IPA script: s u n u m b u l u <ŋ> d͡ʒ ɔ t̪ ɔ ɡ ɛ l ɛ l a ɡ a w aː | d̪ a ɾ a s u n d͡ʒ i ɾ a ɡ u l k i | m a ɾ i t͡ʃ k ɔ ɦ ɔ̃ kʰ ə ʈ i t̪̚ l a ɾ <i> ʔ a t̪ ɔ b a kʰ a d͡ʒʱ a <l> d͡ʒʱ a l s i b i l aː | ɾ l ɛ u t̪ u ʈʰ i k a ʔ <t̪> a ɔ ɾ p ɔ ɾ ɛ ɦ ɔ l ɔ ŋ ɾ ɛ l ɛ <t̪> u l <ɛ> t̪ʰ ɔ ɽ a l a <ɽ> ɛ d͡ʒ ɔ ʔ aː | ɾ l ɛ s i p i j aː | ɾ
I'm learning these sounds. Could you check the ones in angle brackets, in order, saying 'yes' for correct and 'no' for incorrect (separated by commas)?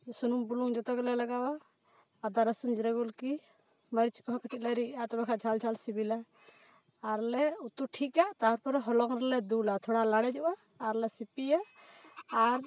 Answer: yes, yes, yes, yes, no, no, yes